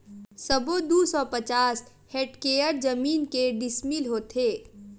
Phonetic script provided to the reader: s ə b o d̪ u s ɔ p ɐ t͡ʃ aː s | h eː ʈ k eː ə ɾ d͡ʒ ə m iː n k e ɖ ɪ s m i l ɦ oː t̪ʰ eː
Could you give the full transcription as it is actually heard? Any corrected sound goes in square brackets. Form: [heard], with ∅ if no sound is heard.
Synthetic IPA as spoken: s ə b o d̪ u s ɔ p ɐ t͡ʃ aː s | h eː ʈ k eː ə ɾ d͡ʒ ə m iː n k e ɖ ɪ s m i l ɦ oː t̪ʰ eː